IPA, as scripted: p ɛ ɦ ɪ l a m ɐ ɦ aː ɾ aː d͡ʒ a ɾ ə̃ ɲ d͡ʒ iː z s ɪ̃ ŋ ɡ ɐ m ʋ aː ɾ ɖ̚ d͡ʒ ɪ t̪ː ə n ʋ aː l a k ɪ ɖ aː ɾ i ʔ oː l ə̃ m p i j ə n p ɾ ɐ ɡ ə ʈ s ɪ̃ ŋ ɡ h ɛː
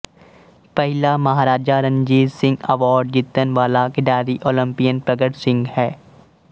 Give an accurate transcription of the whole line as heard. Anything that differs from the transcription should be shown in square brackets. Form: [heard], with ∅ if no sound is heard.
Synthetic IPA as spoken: p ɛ ɦ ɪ l a m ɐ ɦ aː ɾ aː d͡ʒ a ɾ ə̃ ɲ d͡ʒ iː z s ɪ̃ ŋ ɡ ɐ [∅] ʋ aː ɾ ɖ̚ d͡ʒ ɪ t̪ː ə n ʋ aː l a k ɪ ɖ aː ɾ i ʔ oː l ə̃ m p i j ə n p ɾ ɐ ɡ ə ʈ s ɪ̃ ŋ ɡ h ɛː